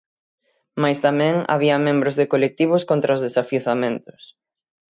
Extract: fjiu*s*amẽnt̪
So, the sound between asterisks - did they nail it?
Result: no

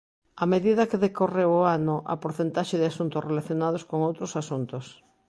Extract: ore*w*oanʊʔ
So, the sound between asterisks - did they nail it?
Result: yes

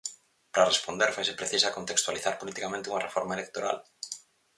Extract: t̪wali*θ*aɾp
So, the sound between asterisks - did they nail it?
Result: yes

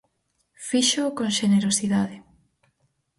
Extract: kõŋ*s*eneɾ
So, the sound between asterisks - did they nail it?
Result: no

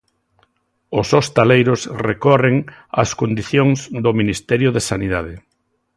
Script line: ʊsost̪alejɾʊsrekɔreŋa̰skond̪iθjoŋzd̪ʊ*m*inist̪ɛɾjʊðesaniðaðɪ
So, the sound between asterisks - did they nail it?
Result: yes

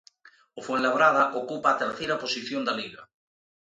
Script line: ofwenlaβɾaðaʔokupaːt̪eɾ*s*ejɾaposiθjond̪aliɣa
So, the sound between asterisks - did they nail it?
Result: no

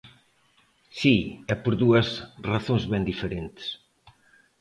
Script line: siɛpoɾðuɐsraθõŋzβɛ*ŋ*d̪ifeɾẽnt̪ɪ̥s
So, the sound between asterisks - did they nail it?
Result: no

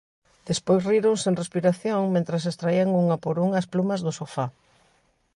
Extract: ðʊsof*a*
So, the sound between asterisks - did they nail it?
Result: yes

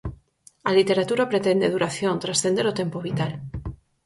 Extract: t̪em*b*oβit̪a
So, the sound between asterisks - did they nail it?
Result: no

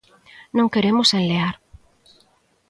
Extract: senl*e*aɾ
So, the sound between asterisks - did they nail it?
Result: yes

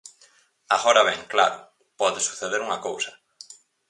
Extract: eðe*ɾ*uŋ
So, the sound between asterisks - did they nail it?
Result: yes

